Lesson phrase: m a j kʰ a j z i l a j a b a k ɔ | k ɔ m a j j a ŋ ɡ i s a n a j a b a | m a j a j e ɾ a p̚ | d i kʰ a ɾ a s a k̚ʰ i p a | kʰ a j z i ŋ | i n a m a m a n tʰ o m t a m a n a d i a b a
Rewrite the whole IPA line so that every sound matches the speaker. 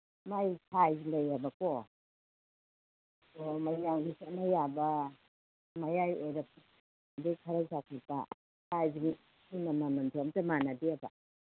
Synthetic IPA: m a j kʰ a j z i l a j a b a k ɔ | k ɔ m a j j a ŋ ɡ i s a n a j a b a | m a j a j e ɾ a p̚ | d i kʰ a ɾ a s a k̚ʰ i p a | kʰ a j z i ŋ | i n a m a m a n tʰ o m t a m a n a d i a b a